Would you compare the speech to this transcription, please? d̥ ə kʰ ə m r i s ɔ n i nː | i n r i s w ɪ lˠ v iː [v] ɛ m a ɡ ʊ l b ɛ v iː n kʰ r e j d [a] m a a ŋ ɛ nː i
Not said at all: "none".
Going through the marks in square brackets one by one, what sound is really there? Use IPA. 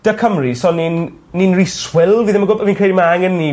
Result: ð, i

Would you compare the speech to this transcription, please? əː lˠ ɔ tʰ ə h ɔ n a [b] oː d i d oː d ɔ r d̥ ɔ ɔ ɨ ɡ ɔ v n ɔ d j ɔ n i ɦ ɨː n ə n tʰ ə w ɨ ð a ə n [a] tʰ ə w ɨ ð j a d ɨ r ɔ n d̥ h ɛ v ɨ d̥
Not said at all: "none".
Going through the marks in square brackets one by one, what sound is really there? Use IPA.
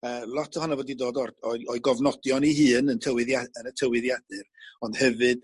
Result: v, ə

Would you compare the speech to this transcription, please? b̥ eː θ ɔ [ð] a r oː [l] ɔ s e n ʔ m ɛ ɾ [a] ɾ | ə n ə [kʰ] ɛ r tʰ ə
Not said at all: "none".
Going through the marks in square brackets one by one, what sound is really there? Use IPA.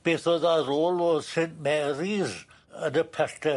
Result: ð, l, i, pʰ

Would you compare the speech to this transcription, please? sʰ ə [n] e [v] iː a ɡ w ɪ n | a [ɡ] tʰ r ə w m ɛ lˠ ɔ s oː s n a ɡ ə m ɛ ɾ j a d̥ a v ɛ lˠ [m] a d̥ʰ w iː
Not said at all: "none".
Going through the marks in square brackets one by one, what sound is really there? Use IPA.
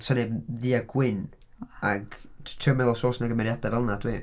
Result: n, ð, ɡ, n

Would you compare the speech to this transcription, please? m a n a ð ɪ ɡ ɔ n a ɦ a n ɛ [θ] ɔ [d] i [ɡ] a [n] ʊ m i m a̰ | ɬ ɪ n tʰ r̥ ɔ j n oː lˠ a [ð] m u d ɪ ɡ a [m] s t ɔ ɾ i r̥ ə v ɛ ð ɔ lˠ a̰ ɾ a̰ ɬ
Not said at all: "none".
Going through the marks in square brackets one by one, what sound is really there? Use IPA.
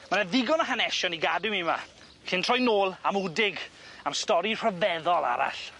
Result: ʃ, n, ɡ, d, none, m

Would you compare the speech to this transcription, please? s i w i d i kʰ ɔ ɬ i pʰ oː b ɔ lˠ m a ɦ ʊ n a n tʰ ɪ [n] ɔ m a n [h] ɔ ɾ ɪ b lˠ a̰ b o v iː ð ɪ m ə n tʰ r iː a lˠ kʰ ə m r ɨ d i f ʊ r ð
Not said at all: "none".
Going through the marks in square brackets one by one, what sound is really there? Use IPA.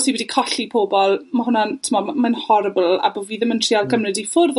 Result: m, h

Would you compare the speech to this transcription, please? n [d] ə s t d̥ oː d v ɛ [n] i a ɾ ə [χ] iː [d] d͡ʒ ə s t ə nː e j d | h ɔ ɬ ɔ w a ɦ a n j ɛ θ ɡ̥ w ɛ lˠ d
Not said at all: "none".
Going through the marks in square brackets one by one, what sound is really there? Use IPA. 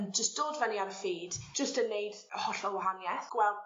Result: d͡ʒ, n, f, d

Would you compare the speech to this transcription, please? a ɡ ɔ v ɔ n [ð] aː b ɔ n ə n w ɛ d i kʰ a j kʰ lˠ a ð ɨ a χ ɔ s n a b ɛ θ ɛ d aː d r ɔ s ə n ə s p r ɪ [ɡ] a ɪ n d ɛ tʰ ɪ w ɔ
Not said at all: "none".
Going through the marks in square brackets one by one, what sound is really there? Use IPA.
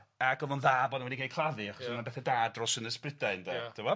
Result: ð, d

